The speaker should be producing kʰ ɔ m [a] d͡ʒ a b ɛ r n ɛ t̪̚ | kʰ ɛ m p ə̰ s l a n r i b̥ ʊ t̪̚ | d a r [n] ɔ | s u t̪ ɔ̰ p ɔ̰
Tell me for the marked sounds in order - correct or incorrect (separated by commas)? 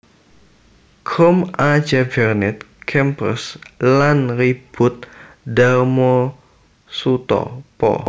correct, incorrect